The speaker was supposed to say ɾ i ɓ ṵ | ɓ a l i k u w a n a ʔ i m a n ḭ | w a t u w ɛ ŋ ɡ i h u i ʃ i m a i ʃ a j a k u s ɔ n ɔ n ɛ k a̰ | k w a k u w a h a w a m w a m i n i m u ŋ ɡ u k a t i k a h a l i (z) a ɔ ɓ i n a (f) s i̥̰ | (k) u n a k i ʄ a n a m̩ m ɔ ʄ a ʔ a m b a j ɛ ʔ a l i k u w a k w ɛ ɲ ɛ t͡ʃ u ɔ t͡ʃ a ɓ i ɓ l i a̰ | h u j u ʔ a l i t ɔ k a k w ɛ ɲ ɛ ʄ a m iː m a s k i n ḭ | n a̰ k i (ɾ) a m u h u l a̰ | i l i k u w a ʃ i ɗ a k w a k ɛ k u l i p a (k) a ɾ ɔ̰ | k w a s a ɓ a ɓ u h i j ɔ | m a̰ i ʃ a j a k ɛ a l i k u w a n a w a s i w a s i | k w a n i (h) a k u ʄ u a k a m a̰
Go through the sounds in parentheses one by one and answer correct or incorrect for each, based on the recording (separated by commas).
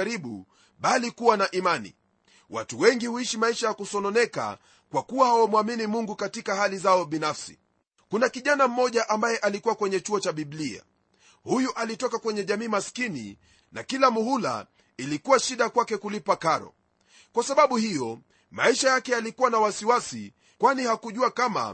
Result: correct, correct, correct, incorrect, correct, correct